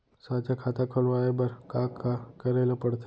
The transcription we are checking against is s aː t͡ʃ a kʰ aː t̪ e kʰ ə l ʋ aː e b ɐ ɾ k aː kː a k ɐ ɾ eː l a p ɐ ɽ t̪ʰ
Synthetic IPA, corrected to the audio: s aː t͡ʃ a kʰ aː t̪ a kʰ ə l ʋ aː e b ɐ ɾ k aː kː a k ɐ ɾ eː l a p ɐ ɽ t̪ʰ